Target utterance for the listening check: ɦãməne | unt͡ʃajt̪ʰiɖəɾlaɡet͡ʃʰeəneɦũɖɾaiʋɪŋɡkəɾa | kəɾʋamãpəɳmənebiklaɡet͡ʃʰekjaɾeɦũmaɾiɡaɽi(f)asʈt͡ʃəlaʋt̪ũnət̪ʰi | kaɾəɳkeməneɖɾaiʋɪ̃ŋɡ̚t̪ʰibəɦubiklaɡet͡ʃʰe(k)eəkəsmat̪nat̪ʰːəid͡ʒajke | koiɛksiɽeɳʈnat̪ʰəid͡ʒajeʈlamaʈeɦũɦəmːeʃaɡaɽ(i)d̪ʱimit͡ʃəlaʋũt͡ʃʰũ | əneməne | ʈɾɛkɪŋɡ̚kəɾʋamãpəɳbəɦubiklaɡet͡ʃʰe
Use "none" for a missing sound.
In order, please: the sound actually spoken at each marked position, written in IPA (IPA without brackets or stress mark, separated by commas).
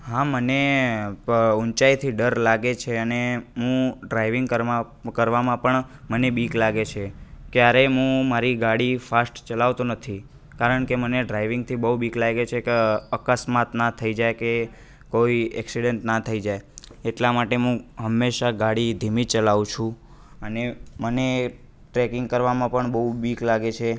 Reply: f, k, i